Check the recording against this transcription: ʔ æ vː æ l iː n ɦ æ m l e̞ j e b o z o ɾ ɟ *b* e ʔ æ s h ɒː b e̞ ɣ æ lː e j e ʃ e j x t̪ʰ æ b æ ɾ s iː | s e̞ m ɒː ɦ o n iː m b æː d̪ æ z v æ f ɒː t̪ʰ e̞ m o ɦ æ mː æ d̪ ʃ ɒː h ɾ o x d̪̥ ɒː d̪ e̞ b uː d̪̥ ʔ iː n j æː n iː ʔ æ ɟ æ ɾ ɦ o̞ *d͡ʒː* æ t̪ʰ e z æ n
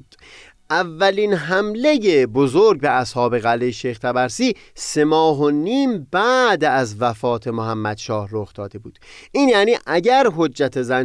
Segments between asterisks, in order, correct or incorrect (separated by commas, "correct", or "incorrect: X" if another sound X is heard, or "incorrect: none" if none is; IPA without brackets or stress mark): correct, correct